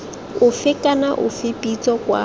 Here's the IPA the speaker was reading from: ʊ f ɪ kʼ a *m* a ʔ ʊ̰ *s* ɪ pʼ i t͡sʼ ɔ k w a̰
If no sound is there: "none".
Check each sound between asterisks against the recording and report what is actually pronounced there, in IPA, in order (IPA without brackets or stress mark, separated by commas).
n, f